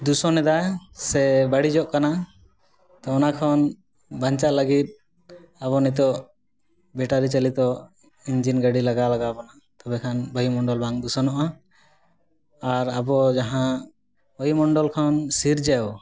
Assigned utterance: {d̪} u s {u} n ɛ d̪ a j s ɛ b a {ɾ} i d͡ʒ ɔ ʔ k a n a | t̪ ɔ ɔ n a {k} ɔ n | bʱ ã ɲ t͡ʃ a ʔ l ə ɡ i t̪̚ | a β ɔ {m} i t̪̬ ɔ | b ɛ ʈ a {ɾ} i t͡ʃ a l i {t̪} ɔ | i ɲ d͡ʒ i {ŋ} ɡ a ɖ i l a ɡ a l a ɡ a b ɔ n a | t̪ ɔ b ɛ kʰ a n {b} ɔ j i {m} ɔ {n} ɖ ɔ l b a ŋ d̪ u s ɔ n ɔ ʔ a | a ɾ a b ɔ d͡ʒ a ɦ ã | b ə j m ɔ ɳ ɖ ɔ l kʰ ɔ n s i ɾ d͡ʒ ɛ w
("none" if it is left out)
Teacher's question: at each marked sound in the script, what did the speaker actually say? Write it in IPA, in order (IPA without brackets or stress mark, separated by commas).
d̪, ɔ, ɽ, kʰ, n, ɾ, t̪, n, b, m, ɳ